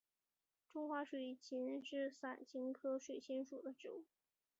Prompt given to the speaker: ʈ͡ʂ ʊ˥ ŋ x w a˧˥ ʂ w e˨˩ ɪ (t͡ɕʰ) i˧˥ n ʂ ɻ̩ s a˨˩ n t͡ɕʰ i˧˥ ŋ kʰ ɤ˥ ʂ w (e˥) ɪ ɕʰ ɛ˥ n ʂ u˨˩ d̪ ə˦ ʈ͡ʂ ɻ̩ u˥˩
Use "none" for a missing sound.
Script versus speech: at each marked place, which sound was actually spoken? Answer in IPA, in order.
t͡ɕʰ, e˨˩

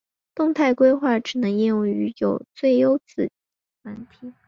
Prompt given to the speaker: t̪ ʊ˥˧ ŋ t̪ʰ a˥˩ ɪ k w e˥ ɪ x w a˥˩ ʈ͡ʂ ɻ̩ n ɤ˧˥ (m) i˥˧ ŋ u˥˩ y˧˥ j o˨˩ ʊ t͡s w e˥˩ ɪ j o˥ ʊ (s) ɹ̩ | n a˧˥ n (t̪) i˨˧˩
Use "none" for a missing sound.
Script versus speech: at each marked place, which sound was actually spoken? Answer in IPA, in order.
ŋ, t͡s, t̪ʰ

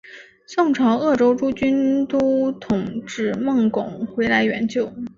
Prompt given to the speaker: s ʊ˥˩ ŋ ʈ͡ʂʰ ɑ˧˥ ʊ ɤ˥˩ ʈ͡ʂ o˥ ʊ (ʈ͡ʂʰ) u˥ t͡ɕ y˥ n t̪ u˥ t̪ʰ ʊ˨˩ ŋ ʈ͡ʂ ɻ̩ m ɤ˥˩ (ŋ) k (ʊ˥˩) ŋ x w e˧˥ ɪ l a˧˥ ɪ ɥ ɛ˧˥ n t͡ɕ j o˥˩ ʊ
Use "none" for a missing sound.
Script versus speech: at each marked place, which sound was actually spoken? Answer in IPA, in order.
ʈ͡ʂ, ŋ, ʊ˨˩˦

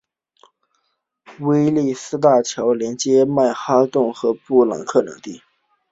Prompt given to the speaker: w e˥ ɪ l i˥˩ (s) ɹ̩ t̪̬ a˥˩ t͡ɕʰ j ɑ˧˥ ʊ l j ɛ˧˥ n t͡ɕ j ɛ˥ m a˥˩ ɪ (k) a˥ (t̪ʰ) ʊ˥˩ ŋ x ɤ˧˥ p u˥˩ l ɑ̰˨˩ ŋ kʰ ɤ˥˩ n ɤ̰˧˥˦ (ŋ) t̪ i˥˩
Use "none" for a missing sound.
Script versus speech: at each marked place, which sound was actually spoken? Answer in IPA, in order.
s, x, t̪, ŋ

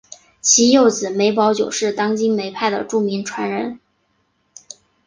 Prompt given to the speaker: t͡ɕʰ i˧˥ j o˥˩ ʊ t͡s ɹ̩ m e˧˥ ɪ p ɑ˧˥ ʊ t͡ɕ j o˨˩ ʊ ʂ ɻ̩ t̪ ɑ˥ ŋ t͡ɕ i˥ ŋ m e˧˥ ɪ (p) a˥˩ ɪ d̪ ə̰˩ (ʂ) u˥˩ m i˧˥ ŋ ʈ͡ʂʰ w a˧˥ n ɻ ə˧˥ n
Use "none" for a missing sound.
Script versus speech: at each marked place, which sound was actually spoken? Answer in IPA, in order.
pʰ, ʈ͡ʂ

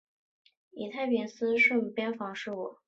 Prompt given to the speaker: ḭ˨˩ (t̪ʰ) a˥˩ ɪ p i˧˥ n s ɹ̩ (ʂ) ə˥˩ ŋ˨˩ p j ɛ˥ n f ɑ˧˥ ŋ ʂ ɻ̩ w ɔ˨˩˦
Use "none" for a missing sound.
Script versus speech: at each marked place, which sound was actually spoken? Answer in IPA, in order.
t̪ʰ, ʂ

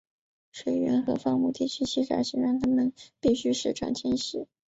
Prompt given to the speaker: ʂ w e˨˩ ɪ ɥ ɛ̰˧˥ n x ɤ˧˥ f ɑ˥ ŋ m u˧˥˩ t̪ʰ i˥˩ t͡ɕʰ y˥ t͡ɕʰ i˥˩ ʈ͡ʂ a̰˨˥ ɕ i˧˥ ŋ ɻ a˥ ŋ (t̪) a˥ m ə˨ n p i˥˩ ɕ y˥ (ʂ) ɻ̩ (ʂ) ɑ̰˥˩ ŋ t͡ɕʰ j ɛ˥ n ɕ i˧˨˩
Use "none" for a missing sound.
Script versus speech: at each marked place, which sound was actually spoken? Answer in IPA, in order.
t̪ʰ, ʂ, ʈ͡ʂ

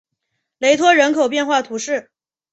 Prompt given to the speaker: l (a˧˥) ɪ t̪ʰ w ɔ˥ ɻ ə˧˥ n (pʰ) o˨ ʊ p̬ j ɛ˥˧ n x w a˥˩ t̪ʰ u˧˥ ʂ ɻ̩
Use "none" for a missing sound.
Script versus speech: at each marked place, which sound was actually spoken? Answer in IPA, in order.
e˧˥, kʰ

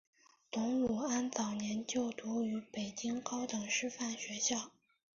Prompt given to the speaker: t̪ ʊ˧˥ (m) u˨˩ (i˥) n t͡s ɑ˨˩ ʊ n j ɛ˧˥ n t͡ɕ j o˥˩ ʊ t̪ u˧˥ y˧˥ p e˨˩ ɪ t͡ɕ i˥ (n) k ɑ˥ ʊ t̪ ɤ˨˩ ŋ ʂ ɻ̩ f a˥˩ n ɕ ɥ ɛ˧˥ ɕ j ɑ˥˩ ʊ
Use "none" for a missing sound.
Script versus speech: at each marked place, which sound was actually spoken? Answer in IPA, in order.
ŋ, a˥, ŋ

